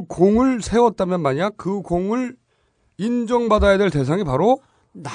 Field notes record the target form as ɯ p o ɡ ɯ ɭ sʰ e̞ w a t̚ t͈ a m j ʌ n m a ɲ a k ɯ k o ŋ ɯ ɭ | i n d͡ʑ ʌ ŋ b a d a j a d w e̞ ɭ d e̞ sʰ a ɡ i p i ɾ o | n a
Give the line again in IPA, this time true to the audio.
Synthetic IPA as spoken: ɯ k o ŋ ɯ ɭ sʰ e̞ w ʌ t̚ t͈ a m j ʌ n m a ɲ a k ɯ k o ŋ ɯ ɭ | i n d͡ʑ ʌ ŋ b a d a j a d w e̞ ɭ t e̞ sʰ a ŋ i p a ɾ o | n a